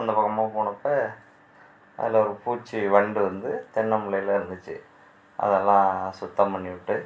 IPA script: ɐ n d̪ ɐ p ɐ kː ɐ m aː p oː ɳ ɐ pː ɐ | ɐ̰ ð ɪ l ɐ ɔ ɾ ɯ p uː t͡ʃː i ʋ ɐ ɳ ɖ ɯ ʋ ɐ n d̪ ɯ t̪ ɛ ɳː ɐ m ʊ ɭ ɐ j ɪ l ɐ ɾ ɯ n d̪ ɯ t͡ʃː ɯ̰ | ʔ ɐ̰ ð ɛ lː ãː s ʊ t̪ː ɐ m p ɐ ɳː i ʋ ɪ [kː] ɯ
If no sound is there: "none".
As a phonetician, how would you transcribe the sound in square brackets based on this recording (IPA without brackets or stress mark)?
ʈː